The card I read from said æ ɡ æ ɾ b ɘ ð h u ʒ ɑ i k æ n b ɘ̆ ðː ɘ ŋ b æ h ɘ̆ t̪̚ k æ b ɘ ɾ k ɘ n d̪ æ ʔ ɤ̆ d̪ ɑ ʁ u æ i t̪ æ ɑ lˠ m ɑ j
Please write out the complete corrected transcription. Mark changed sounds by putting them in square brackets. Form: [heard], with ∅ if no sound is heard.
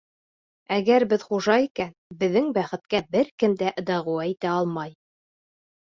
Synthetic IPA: æ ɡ æ ɾ b ɘ ð [χ] u ʒ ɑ i k æ n b ɘ̆ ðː ɘ ŋ b æ [χ] ɘ̆ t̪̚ k æ b ɘ ɾ k ɘ [m] d̪ æ ʔ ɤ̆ d̪ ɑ ʁ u æ i t̪ æ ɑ lˠ m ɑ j